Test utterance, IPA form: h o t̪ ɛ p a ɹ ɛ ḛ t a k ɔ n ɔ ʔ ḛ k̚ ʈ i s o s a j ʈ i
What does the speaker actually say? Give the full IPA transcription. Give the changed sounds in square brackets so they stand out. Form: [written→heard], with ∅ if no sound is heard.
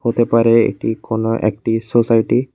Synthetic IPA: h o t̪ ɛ p a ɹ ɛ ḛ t [a→i] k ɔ n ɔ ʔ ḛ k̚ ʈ i s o s a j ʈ i